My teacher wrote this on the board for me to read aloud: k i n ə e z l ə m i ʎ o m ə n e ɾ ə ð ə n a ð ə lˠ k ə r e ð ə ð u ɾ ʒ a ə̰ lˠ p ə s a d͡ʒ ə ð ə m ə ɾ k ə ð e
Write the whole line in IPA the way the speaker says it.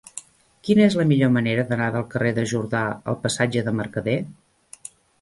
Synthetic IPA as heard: k i n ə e z l ə m i ʎ o m ə n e ɾ ə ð ə n a ð ə lˠ k ə r e ð ə ʒ u ɾ ð a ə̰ lˠ p ə s a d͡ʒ ə ð ə m ə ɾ k ə ð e